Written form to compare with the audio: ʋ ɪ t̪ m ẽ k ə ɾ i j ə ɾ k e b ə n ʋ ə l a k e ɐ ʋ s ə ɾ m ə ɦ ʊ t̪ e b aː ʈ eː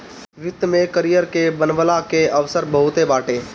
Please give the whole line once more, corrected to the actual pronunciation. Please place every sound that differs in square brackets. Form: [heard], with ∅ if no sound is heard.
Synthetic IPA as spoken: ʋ ɪ t̪ m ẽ k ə ɾ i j ə ɾ k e b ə n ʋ ə l a k e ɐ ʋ s ə ɾ [b] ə ɦ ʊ t̪ e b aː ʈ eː